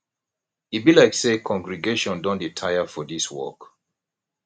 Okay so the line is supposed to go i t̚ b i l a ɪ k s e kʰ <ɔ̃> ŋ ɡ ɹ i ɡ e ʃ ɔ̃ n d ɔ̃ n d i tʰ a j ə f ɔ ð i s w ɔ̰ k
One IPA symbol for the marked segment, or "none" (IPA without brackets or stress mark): ɔ̃